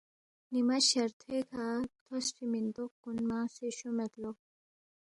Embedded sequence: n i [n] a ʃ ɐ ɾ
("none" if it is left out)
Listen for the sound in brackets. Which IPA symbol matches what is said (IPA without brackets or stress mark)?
m